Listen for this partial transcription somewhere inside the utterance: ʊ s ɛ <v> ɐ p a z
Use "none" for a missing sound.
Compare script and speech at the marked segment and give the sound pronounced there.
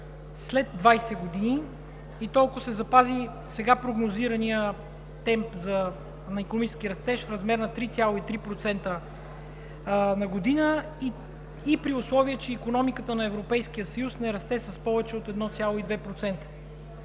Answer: z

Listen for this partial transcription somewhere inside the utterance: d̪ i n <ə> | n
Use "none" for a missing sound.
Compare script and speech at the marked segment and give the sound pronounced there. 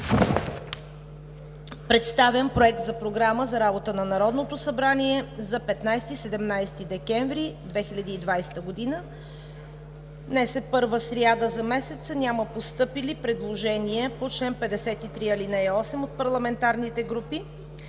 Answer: ə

